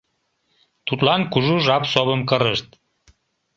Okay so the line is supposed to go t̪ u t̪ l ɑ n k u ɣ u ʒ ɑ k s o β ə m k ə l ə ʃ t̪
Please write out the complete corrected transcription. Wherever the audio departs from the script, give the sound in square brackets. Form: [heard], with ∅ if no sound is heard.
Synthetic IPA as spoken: t̪ u t̪ l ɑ n k u [ʒ] u ʒ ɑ [p] s o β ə m k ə [ɾ] ə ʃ t̪